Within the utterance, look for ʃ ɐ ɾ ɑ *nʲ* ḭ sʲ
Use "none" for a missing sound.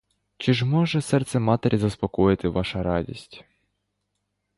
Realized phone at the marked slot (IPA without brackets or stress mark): dʲ